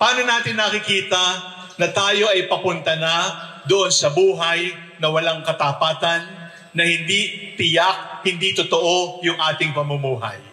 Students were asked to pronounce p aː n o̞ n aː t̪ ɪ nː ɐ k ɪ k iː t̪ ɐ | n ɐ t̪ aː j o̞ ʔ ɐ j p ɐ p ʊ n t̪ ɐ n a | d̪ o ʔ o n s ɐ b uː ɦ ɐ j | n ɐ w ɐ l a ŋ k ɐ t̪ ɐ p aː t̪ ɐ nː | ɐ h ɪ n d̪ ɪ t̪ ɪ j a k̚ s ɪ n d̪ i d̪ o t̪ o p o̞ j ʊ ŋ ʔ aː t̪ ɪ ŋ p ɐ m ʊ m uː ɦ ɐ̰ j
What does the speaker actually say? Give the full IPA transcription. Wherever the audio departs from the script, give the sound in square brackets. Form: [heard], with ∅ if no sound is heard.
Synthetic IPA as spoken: p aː n o̞ n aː t̪ ɪ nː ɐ k ɪ k iː t̪ ɐ | n ɐ t̪ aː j o̞ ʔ ɐ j p ɐ p ʊ n t̪ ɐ n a | d̪ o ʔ o n s ɐ b uː ɦ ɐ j | n ɐ w ɐ l a ŋ k ɐ t̪ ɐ p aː t̪ ɐ nː | ɐ h ɪ n d̪ [i] t̪ ɪ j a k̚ [h] ɪ n d̪ i [t̪] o t̪ o [ʔ] o̞ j ʊ ŋ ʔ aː t̪ ɪ ŋ p ɐ m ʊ m uː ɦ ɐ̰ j